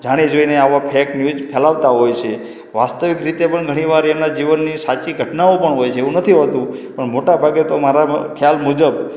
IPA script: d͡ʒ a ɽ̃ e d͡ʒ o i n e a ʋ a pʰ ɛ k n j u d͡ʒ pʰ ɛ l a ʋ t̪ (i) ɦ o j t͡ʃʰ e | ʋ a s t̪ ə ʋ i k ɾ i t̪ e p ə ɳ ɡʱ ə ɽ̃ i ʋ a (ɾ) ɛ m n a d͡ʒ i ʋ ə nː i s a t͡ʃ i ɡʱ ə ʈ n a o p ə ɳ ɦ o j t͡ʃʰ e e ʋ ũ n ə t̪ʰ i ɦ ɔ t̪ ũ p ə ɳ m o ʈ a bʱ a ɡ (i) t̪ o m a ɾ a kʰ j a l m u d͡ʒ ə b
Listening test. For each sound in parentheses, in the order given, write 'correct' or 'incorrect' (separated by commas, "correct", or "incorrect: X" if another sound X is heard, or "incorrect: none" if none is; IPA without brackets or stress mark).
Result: incorrect: a, correct, incorrect: e